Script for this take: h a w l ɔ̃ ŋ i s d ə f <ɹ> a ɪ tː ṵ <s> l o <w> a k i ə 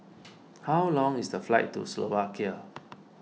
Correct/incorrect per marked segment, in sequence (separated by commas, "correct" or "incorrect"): incorrect, correct, incorrect